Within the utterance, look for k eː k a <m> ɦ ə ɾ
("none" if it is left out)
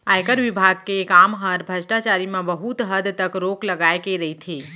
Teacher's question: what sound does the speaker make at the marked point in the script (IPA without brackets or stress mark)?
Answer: m